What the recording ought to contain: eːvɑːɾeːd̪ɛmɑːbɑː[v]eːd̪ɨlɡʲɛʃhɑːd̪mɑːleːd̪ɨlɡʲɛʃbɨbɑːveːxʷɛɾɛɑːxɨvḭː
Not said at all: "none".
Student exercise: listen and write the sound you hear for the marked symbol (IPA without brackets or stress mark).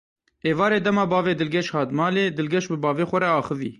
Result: v